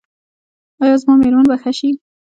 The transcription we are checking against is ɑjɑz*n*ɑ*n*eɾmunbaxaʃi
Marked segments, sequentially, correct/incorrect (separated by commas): incorrect, incorrect